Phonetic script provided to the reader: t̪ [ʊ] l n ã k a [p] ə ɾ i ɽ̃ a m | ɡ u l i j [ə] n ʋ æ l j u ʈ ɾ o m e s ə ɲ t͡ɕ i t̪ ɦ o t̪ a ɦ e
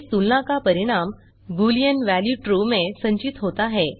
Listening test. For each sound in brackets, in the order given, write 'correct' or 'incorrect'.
incorrect, correct, correct

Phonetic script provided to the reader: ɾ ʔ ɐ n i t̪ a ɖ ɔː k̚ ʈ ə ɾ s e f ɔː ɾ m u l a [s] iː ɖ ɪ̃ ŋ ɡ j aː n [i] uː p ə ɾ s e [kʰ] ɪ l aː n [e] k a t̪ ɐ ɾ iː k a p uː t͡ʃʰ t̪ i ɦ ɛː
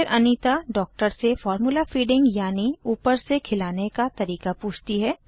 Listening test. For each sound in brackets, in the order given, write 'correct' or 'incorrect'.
incorrect, correct, correct, correct

